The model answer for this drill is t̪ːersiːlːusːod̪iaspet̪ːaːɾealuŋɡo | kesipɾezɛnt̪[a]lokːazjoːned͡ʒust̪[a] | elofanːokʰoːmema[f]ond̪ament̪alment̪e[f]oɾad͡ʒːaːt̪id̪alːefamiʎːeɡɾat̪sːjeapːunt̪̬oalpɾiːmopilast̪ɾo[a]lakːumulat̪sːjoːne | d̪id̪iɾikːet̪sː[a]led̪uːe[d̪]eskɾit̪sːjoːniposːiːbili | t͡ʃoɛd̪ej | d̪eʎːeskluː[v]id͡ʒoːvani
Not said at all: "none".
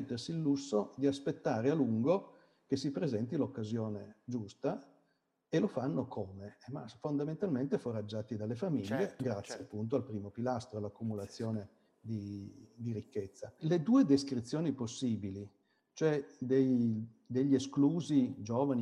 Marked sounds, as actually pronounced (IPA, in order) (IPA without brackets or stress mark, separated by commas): i, a, f, f, a, a, d̪, z